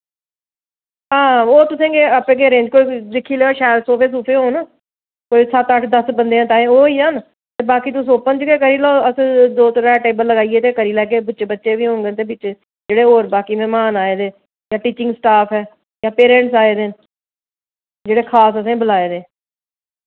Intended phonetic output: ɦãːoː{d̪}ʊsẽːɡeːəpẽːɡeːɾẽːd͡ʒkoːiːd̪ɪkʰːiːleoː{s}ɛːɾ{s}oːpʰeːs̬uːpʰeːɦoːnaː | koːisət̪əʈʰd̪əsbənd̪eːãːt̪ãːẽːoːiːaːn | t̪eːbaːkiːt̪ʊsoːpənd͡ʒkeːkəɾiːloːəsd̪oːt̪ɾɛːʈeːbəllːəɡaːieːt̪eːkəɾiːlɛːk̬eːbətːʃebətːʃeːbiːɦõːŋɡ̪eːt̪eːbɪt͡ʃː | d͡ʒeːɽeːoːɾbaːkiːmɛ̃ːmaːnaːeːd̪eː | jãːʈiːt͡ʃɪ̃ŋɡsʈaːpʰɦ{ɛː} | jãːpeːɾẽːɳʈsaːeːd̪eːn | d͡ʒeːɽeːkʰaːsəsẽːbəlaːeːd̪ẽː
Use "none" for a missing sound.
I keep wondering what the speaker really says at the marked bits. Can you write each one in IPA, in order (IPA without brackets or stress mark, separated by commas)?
t̪, ʃ, s, ɛː